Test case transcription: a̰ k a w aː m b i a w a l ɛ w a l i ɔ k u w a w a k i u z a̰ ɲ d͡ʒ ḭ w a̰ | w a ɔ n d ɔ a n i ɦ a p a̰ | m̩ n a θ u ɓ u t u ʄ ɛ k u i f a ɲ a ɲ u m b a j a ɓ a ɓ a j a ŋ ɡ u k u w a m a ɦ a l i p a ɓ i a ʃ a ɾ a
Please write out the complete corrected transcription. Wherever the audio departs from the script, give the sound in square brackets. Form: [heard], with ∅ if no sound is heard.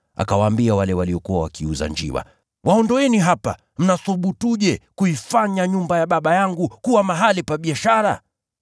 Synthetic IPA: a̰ k a w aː m b i a w a l ɛ w a l i ɔ k u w a w a k i u z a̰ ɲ d͡ʒ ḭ w a̰ | w a ɔ n d ɔ [ɛ] n i ɦ a p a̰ | m̩ n a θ u ɓ u t u ʄ ɛ k u i f a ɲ a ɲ u m b a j a ɓ a ɓ a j a ŋ ɡ u k u w a m a ɦ a l i p a ɓ i a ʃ a ɾ a